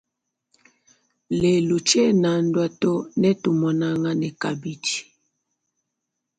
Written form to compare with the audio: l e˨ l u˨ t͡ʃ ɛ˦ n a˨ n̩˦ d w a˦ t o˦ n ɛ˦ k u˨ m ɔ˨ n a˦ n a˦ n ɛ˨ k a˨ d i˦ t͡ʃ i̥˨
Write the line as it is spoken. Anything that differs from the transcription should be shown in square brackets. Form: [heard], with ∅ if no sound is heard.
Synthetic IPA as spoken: l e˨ l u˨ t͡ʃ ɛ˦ n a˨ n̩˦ d w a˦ t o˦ n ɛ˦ [t] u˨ m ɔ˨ n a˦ [ŋ] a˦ n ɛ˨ k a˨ [b] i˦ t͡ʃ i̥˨